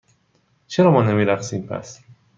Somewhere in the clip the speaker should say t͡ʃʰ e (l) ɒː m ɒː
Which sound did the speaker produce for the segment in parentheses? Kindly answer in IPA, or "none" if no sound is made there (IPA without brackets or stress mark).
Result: ɾ